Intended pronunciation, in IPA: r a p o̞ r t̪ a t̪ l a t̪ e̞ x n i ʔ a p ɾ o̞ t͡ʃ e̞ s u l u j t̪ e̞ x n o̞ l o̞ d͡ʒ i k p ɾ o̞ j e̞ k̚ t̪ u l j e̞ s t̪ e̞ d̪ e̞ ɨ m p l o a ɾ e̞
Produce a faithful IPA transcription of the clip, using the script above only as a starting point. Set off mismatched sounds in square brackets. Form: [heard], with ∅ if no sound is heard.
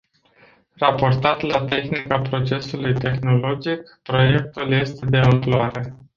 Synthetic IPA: r a p o̞ r t̪ a t̪ l a t̪ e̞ x n i [k] a p ɾ o̞ t͡ʃ e̞ s u l u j t̪ e̞ x n o̞ l o̞ d͡ʒ i k p ɾ o̞ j e̞ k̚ t̪ u l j e̞ s t̪ e̞ d̪ e̞ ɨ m p l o a ɾ e̞